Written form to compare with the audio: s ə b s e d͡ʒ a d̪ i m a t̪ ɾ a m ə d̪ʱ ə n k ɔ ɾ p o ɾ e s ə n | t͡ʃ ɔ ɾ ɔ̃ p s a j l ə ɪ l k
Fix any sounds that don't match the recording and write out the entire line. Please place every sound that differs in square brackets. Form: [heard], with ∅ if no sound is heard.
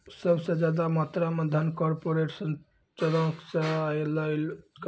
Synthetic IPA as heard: s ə b s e d͡ʒ a d̪ [a] m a t̪ ɾ a m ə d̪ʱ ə n k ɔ ɾ p o ɾ e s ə n | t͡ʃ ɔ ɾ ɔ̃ [k] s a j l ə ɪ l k